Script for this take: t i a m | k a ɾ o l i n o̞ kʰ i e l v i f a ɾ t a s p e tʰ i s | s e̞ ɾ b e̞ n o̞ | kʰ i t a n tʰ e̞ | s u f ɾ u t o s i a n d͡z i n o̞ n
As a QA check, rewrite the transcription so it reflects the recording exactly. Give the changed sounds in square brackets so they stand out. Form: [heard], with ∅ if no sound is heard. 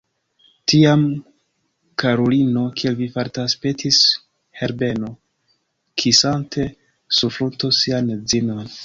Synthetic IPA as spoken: t i a m | k a ɾ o l i n o̞ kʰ i e l v i f a ɾ t a s p e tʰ i s | [h] e̞ ɾ b e̞ n o̞ | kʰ i [s] a n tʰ e̞ | s u f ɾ u t o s i a n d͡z i n o̞ n